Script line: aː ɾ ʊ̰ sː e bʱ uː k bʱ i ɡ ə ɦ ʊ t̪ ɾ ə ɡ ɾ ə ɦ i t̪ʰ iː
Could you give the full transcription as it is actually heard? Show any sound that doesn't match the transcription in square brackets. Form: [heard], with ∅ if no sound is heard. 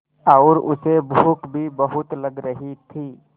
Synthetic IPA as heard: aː ɾ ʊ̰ [s] e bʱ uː k bʱ i [b] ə ɦ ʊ t̪ [l] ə ɡ ɾ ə ɦ i t̪ʰ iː